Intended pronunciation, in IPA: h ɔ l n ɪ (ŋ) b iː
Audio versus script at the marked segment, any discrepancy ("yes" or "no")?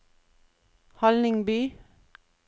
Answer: no